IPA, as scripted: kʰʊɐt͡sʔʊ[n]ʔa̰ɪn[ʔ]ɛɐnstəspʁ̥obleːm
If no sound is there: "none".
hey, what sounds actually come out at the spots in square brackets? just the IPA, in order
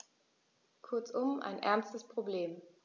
m, ʔ

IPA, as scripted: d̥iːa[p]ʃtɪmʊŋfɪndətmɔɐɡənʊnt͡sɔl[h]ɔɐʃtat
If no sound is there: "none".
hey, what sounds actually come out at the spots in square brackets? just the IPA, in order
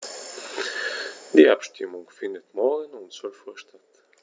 p, f

